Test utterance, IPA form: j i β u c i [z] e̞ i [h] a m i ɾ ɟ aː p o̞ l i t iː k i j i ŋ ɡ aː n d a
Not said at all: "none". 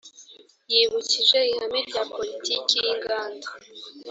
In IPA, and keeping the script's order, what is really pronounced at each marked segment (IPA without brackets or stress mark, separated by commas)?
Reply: ʒ, h